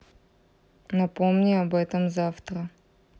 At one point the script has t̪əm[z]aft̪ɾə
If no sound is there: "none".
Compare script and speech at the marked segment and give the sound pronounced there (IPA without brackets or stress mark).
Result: z